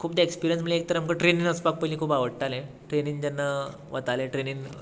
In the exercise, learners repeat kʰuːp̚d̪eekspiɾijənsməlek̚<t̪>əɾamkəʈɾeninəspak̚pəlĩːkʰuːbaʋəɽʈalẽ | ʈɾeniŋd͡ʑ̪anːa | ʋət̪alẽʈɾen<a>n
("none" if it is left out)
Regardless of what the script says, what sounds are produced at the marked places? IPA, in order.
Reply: t̪, i

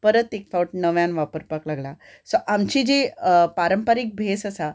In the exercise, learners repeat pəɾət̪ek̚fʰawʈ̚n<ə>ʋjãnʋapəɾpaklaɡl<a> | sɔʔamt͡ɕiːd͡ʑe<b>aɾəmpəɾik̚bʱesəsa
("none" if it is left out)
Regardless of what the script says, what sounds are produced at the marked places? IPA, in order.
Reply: ə, a, p

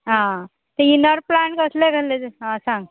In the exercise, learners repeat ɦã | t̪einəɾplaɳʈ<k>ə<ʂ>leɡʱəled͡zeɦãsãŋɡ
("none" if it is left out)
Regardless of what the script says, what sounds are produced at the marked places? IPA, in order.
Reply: k, s

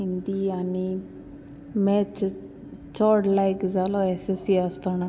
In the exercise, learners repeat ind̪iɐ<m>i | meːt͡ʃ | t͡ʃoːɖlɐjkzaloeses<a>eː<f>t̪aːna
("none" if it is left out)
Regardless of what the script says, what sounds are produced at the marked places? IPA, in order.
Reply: n, i, s

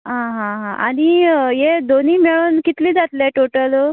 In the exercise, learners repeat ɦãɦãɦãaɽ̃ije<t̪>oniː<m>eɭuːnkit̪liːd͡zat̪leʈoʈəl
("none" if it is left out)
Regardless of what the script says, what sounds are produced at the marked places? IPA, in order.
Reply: d̪, m

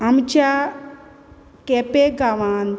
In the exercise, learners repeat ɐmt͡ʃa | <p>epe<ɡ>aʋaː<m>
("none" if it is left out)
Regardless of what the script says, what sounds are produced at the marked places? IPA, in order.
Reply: k, ɡ, n

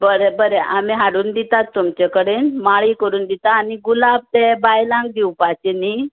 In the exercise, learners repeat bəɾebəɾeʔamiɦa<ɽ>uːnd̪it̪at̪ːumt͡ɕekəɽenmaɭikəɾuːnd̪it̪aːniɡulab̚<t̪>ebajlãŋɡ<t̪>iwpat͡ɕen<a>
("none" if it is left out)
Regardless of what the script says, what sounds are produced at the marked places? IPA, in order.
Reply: ɽ, t̪, d̪, i

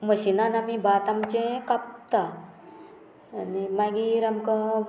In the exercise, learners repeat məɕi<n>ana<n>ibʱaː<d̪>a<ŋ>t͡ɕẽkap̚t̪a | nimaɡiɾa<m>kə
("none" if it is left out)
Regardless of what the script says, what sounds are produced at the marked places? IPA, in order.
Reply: n, m, t̪, m, m

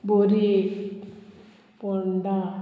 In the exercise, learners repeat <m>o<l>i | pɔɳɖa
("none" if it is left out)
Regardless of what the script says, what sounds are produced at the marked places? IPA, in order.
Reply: b, ɾ

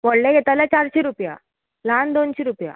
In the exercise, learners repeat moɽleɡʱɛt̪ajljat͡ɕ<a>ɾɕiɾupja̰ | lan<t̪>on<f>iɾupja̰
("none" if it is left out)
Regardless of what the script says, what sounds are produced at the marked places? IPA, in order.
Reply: a, d̪, ɕ

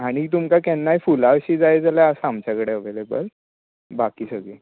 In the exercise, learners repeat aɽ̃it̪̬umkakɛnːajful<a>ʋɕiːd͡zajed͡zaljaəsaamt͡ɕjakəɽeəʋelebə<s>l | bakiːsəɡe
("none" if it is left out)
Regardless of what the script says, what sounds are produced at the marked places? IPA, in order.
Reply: a, none

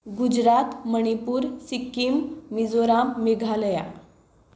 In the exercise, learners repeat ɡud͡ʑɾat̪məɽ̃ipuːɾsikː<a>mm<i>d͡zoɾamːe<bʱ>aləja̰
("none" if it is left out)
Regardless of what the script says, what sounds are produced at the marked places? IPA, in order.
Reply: i, i, ɡʱ

